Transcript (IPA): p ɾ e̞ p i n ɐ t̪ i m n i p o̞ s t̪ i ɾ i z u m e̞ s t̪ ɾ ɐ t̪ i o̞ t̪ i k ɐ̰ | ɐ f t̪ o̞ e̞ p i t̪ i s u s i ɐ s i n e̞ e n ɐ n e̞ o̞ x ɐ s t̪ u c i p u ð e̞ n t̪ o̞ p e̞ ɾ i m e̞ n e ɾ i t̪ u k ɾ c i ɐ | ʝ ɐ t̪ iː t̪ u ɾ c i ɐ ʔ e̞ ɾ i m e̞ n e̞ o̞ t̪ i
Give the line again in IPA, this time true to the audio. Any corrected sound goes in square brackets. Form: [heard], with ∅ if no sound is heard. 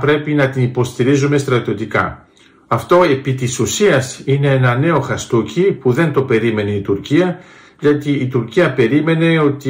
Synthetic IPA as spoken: p ɾ e̞ p i n ɐ t̪ i [∅] n i p o̞ s t̪ i ɾ i z u m e̞ s t̪ ɾ ɐ t̪ i o̞ t̪ i k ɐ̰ | ɐ f t̪ o̞ e̞ p i t̪ i s u s i ɐ s i n e̞ e n ɐ n e̞ o̞ x ɐ s t̪ u c i p u ð e̞ n t̪ o̞ p e̞ ɾ i m e̞ n e [∅] i t̪ u [∅] ɾ c i ɐ | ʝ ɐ t̪ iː t̪ u ɾ c i ɐ [p] e̞ ɾ i m e̞ n e̞ o̞ t̪ i